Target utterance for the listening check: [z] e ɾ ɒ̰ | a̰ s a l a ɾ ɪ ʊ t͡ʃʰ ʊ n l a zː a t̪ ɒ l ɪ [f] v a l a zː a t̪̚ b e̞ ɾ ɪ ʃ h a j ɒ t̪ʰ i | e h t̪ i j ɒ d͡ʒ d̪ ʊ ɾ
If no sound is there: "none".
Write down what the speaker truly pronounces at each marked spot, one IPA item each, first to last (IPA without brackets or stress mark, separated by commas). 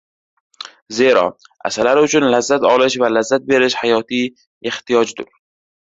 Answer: z, ʃ